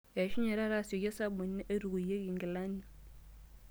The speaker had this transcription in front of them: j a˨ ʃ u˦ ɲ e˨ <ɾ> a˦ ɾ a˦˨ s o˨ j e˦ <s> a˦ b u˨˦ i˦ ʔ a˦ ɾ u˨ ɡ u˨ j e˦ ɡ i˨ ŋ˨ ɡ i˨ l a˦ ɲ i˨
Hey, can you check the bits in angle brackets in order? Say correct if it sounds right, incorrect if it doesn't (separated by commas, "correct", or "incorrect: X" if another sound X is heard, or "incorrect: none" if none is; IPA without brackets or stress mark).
correct, correct